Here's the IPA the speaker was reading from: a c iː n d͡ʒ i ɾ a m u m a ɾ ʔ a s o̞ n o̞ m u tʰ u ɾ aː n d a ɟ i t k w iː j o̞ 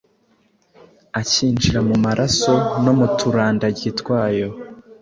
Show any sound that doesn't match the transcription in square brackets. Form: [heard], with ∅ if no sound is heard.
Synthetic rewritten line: a c iː n d͡ʒ i ɾ a m u m a ɾ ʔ a s o̞ n o̞ m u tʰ u ɾ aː n d a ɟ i t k w [aː] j o̞